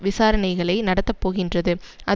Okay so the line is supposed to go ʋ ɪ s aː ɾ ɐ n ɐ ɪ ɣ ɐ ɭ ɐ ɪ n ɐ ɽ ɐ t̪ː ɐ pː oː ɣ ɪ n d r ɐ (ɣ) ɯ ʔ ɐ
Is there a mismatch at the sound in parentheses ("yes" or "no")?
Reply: yes